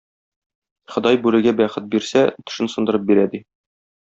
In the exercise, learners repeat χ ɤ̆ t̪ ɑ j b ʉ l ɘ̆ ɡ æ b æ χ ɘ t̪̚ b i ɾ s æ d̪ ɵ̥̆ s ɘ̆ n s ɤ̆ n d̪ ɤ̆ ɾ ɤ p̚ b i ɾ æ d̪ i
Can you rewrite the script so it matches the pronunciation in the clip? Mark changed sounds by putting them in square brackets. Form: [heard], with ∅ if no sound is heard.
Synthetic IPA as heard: χ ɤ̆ [d̪] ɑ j b ʉ l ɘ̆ ɡ æ b æ χ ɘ t̪̚ b i ɾ s æ [t̪] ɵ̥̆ [ʃ] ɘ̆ n s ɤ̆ n d̪ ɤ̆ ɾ ɤ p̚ b i ɾ æ d̪ i